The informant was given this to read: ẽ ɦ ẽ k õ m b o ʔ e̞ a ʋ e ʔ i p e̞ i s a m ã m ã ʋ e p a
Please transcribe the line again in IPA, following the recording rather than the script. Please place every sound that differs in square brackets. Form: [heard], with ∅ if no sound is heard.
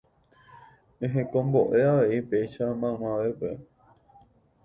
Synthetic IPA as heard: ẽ ɦ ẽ k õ m b o ʔ e̞ a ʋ e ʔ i p e̞ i [ʃ] a m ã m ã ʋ e p [e]